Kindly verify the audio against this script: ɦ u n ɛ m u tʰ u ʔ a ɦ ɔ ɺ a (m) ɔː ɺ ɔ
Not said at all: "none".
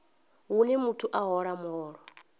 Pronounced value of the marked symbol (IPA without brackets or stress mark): m